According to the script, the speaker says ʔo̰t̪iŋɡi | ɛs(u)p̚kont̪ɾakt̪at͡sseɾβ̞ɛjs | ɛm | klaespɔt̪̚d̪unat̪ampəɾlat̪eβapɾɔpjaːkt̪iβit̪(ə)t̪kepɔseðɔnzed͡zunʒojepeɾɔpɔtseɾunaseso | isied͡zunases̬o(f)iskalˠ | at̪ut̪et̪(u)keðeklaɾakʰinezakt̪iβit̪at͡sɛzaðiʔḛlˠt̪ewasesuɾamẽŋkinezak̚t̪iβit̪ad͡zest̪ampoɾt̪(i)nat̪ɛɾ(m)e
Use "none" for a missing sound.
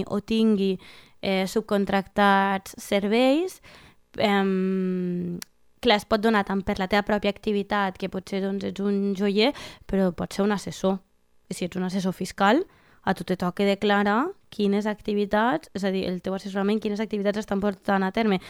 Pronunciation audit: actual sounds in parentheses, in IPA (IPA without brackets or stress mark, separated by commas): u, a, f, ɔ, a, m